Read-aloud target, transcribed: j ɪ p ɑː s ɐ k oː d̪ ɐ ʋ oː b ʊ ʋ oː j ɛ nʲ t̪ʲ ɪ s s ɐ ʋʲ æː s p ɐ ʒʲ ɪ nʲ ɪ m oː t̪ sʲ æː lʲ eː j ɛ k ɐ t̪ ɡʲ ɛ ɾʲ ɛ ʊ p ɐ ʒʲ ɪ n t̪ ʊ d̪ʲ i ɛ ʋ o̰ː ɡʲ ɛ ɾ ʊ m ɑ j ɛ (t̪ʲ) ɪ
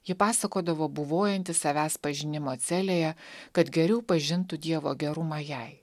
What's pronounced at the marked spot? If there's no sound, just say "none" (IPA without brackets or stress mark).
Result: none